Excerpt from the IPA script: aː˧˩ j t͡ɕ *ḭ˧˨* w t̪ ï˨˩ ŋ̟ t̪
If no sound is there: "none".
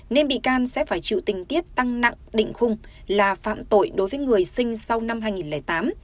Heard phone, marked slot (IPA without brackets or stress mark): ḭ˧˨